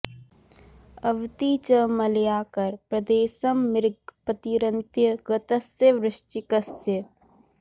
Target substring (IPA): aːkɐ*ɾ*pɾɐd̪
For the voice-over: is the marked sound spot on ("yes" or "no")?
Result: yes